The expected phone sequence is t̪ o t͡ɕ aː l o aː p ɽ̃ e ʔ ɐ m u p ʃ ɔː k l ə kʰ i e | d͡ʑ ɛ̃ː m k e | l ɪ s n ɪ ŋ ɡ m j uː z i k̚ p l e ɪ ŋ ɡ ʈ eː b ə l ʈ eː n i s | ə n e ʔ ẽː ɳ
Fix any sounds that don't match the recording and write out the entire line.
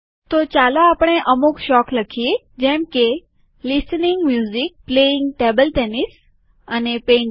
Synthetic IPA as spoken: t̪ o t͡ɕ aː l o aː p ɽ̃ e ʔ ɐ m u k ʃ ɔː k l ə kʰ i e | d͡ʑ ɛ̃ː m k e | l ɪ s n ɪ ŋ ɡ m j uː z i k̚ p l e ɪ ŋ ɡ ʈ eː b ə l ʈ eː n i s | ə n e p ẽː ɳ